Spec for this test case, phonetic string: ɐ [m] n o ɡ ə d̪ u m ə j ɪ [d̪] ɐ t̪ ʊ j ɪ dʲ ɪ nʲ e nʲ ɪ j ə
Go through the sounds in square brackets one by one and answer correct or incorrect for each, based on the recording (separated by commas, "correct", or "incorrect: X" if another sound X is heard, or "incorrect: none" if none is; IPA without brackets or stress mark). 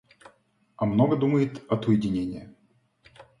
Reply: correct, incorrect: t̪